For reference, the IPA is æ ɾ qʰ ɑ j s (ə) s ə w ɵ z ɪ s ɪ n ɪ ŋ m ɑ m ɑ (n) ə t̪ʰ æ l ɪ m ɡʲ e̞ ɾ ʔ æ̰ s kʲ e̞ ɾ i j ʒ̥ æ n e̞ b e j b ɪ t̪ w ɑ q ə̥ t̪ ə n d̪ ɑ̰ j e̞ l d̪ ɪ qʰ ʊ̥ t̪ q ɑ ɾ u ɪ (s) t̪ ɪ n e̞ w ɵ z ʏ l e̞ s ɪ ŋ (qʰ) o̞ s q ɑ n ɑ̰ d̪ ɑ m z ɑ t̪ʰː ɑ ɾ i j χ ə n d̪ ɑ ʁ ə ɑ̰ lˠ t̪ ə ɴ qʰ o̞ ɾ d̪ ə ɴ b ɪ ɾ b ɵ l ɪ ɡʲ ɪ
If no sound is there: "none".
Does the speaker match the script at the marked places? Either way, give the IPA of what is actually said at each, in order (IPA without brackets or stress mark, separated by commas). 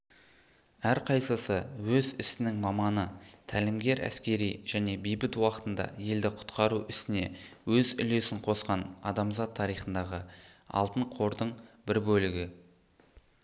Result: ə, n, s, qʰ